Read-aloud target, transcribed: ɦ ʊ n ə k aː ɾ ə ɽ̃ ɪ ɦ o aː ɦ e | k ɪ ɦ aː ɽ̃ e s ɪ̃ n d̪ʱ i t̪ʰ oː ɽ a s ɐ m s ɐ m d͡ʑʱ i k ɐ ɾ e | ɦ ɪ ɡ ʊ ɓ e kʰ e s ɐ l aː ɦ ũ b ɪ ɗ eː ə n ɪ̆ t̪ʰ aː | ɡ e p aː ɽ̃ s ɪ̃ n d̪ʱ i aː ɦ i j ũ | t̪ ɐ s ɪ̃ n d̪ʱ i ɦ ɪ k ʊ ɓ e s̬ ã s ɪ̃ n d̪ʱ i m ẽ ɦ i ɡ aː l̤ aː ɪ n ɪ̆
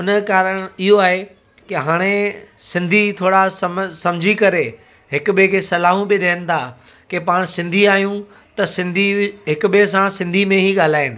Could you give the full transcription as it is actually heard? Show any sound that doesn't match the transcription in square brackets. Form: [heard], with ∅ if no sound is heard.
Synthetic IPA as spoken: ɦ ʊ n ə k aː ɾ ə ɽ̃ ɪ ɦ o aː ɦ e | k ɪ ɦ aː ɽ̃ e s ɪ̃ n d̪ʱ i t̪ʰ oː ɽ a s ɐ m s ɐ m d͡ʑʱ i k ɐ ɾ e | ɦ ɪ [k] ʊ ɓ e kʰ e s ɐ l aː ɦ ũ b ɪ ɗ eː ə n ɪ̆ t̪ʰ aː | [k] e p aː ɽ̃ s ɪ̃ n d̪ʱ i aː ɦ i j ũ | t̪ ɐ s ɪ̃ n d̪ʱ i ɦ ɪ k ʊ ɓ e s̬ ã s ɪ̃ n d̪ʱ i m ẽ ɦ i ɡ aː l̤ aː ɪ n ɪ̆